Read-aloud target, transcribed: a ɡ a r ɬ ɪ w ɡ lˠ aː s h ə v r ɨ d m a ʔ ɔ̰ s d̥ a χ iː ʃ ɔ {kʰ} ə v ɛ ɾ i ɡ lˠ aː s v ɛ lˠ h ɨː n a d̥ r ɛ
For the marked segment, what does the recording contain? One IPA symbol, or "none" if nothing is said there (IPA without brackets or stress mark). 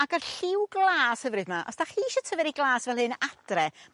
tʰ